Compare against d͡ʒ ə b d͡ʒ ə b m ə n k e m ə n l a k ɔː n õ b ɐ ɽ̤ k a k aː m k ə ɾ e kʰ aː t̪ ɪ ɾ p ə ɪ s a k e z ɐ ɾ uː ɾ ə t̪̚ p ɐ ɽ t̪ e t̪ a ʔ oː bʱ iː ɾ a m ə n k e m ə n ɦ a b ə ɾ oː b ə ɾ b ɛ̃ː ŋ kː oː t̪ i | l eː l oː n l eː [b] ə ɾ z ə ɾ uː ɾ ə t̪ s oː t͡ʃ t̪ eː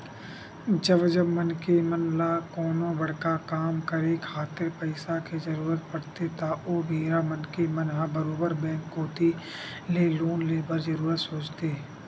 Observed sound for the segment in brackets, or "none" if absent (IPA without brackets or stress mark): b